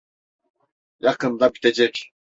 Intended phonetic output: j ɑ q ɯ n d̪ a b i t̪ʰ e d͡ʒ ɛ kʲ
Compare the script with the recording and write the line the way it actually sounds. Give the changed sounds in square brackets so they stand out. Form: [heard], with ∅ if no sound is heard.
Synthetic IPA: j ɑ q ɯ n d̪ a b i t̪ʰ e d͡ʒ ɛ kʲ

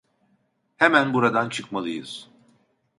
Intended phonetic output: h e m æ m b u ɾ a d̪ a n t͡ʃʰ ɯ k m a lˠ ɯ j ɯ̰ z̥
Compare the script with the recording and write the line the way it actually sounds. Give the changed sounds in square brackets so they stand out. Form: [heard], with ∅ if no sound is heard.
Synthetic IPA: h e m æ [n] b u ɾ a d̪ a n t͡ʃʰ ɯ k m a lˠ ɯ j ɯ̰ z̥

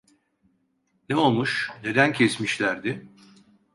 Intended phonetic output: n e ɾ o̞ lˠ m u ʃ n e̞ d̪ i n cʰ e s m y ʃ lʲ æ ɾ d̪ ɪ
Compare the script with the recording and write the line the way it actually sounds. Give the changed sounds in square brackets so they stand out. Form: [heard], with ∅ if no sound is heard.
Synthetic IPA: n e [∅] o̞ lˠ m u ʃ n e̞ d̪ [æ] n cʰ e s m [i] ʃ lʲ æ ɾ d̪ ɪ

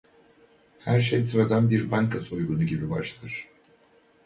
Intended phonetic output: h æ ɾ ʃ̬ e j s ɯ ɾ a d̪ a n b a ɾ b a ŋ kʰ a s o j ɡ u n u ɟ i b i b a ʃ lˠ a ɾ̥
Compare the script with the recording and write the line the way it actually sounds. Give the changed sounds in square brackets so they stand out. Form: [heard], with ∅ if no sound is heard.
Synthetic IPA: h æ ɾ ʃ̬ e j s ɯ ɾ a d̪ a n b [i] ɾ b a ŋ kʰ a s o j ɡ u n u ɟ i b i b a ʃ lˠ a ɾ̥

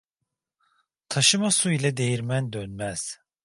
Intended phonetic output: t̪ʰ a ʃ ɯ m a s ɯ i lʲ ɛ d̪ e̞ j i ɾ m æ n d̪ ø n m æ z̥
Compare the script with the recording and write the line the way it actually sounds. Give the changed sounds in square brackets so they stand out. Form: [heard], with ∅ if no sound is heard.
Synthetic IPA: t̪ʰ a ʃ ɯ m a s [u] i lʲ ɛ d̪ e̞ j i ɾ m æ n d̪ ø n m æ z̥

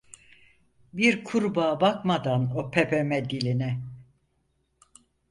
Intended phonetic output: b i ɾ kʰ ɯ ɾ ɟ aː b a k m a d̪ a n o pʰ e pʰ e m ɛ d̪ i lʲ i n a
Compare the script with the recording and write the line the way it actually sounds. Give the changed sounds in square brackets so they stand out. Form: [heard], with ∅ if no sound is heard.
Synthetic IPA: b i ɾ kʰ [u] ɾ [b] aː b a k m a d̪ a n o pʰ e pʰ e m ɛ d̪ i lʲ i n [ɛ]

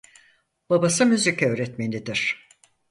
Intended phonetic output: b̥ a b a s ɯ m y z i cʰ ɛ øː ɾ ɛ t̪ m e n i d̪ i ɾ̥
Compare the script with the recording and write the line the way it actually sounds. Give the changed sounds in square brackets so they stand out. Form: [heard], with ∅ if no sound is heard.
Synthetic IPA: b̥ a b a s ɯ m y z i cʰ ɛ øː ɾ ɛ t̪ m e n i d̪ i ɾ̥

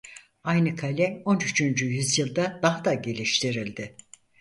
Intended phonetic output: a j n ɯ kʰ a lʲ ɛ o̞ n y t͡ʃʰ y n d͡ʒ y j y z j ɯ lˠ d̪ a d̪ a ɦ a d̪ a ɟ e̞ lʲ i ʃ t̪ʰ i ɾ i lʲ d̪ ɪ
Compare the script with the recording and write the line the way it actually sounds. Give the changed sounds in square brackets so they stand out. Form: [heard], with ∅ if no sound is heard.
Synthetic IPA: a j n ɯ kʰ a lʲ ɛ o̞ n y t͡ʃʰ y n d͡ʒ y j y z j ɯ lˠ d̪ a d̪ a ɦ a d̪ a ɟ e̞ lʲ i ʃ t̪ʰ i ɾ i lʲ d̪ ɪ

